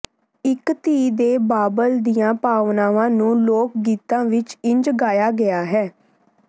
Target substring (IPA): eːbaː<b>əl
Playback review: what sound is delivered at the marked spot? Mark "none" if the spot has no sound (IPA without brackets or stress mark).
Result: b